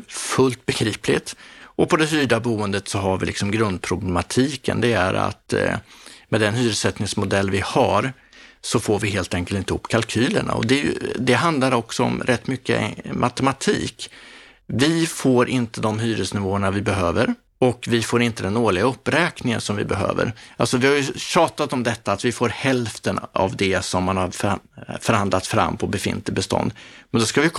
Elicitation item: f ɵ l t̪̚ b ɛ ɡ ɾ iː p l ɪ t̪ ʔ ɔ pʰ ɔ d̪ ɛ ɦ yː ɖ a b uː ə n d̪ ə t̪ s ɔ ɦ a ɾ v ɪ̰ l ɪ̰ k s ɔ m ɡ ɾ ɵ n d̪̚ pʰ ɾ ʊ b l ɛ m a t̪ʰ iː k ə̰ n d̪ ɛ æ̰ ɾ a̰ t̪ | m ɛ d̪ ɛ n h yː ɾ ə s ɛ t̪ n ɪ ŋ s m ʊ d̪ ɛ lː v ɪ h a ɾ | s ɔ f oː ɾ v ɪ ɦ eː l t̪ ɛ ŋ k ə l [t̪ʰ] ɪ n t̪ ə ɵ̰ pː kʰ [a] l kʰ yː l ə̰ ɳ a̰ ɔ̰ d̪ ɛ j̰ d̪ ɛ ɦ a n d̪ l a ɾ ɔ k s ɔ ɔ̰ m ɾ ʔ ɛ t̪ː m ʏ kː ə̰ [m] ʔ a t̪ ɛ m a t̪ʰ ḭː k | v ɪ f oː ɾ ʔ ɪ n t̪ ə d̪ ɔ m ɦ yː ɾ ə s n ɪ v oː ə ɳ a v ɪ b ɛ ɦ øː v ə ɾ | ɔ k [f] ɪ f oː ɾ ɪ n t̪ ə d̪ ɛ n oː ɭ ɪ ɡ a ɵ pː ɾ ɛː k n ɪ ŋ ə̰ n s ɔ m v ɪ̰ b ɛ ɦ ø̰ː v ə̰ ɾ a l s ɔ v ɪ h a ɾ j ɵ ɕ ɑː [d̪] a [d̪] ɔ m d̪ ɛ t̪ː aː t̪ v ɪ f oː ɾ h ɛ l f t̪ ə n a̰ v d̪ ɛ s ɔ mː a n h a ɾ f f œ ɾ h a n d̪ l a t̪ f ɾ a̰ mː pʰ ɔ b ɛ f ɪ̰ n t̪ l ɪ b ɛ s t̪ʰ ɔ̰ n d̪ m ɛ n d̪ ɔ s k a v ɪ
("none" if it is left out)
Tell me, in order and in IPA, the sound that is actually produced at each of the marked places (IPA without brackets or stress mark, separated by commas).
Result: t̪, a, m, v, t̪, t̪